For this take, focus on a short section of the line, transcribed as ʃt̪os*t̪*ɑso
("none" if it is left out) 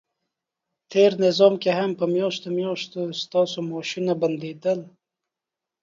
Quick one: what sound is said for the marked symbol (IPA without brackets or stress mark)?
t̪